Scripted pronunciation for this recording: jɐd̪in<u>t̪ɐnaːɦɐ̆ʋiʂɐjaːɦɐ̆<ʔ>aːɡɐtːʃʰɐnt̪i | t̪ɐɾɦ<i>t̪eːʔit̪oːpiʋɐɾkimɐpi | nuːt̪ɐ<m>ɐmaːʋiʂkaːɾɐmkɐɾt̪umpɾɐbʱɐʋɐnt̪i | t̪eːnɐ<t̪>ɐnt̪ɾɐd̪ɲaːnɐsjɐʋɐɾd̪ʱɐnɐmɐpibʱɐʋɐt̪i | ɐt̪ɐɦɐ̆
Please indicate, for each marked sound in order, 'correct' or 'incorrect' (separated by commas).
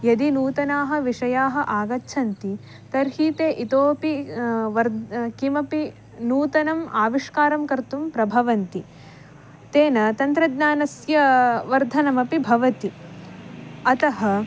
incorrect, correct, incorrect, incorrect, correct